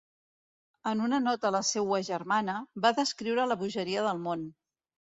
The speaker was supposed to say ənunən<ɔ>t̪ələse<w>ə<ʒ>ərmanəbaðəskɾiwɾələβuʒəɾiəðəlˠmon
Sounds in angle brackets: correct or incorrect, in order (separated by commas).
correct, correct, correct